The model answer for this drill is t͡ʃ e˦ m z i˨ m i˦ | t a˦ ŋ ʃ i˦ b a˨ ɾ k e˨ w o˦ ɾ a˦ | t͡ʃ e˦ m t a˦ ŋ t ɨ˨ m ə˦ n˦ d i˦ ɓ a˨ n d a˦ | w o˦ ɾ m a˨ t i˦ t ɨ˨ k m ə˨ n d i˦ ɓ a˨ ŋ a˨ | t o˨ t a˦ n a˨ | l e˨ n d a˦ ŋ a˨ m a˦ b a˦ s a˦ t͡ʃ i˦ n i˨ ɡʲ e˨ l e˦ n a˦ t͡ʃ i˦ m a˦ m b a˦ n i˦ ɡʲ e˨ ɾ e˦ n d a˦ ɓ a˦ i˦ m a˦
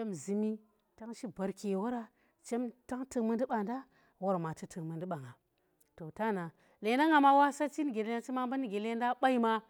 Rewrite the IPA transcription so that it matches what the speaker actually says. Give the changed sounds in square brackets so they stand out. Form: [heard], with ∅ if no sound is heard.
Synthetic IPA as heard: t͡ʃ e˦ m z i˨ m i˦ | t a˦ ŋ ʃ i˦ b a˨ ɾ k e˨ w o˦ ɾ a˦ | t͡ʃ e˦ m t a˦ ŋ t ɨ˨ m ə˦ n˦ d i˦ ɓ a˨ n d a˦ | w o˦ ɾ m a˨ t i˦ t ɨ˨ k m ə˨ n d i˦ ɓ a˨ ŋ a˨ | t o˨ t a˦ n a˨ | l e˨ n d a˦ ŋ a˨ m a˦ [w] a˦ s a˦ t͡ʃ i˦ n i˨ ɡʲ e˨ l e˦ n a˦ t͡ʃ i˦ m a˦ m b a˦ n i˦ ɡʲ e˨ [l] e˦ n d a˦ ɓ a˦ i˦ m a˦